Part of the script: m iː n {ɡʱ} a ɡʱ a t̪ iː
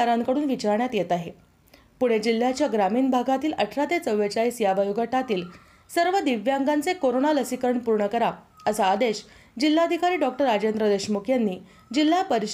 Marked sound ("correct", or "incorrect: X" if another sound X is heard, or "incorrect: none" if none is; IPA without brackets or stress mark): incorrect: bʱ